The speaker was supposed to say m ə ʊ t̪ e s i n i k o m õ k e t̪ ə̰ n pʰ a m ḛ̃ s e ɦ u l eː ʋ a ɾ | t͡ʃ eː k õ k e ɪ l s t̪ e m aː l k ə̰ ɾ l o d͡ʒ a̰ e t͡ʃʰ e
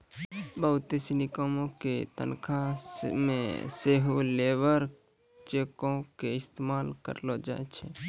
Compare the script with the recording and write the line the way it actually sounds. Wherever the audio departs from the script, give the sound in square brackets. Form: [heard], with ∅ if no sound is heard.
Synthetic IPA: [b] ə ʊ t̪ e s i n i k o m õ k e t̪ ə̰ n [kʰ] a m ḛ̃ s e ɦ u l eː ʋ [ə] ɾ | t͡ʃ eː k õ k e ɪ [∅] s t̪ e m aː l k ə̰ ɾ l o d͡ʒ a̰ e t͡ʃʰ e